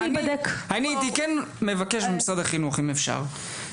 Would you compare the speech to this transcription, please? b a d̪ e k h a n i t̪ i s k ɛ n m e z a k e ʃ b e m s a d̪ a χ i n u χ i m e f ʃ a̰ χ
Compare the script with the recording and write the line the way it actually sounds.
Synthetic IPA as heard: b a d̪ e k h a n i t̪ i k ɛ n m e v a k e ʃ b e m s a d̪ a χ i n u χ i m e f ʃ a̰ ʁ